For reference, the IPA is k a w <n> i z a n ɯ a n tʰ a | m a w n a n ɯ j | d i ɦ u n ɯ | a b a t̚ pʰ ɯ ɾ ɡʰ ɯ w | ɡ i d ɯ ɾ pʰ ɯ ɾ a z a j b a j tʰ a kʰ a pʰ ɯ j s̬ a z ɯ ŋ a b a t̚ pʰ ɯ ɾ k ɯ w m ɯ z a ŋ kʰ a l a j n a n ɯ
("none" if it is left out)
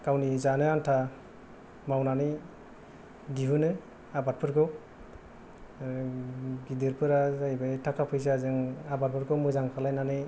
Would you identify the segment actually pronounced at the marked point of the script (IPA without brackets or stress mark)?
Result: n